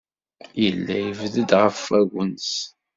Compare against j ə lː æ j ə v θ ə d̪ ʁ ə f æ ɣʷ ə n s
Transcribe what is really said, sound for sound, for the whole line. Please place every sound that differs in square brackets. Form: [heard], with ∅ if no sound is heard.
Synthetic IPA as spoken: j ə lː æ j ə v [ð] ə d̪ ʁ ə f æ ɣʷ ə n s